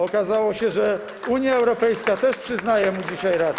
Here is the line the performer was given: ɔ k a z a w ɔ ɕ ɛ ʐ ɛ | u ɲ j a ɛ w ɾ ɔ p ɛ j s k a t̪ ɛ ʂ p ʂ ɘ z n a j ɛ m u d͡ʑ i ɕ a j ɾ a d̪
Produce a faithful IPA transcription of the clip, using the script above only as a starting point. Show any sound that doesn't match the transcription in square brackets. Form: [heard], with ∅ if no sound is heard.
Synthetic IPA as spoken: ɔ k a z a w ɔ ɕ ɛ ʐ ɛ | u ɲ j a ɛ w ɾ ɔ p ɛ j s k a t̪ ɛ ʂ p ʂ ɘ z n a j ɛ m u d͡ʑ i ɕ a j ɾ a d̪